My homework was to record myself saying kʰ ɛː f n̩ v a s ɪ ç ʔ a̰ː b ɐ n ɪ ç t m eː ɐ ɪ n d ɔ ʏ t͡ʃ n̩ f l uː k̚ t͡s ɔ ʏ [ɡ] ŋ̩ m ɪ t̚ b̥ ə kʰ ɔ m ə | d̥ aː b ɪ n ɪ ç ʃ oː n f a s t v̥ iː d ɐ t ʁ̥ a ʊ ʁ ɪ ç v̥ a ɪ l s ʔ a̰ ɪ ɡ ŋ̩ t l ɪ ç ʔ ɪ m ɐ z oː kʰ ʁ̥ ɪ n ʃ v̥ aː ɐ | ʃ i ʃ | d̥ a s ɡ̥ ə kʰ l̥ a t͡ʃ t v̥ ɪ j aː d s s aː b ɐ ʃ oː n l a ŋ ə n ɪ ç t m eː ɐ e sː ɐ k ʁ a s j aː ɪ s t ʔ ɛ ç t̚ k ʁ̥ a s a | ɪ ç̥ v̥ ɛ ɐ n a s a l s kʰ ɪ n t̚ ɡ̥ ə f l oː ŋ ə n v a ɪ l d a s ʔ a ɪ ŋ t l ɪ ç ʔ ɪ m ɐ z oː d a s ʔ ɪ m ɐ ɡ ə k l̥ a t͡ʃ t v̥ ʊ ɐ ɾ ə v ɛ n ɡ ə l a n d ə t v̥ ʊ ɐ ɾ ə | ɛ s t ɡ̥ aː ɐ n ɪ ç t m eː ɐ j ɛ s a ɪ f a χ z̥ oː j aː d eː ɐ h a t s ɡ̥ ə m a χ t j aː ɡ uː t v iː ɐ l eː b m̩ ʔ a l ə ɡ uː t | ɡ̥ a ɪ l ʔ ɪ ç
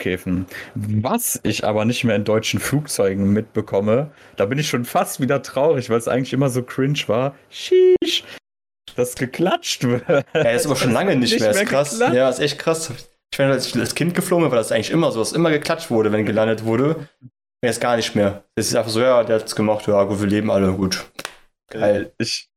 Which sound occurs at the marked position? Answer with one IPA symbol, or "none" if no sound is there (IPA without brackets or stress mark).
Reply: ɡ